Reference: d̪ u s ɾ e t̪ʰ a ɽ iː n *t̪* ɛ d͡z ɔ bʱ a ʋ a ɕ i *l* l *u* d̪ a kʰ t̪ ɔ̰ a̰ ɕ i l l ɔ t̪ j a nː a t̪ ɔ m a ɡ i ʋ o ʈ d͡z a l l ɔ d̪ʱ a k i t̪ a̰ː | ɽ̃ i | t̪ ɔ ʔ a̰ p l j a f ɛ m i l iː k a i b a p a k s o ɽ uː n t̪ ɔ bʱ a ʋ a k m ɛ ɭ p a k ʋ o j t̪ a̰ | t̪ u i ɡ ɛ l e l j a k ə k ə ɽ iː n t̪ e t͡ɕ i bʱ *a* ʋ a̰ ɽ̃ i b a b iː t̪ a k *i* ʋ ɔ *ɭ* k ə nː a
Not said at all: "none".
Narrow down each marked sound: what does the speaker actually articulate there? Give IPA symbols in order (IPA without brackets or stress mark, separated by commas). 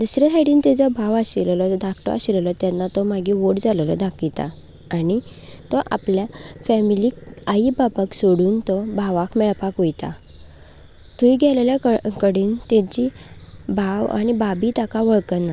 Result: t̪, l, ɔ, a, a, ɭ